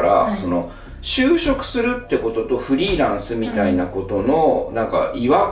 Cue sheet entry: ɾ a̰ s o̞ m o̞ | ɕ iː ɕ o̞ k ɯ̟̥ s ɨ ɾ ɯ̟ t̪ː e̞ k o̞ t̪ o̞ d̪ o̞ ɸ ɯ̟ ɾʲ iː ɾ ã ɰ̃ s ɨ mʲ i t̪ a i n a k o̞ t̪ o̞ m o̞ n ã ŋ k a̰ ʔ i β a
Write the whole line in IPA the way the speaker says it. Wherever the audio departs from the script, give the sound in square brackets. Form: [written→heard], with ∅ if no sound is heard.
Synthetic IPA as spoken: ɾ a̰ s o̞ [m→n] o̞ | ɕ [iː→ɨː] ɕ o̞ k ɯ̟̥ s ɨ ɾ ɯ̟ t̪ː e̞ k o̞ t̪ o̞ [d̪→t̪] o̞ ɸ ɯ̟ ɾʲ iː ɾ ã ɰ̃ s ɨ mʲ i t̪ a i n a k o̞ t̪ o̞ [m→n] o̞ n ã ŋ k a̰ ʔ i β a